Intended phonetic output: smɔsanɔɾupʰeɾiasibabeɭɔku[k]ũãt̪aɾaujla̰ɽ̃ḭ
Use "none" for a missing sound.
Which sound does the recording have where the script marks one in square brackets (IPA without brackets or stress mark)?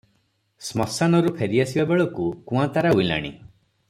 k